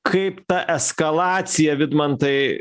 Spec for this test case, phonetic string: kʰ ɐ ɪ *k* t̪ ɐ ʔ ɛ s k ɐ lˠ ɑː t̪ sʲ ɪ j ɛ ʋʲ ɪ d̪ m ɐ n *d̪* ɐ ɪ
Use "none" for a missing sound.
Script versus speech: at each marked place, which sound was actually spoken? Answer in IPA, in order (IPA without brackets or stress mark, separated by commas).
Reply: p, t̪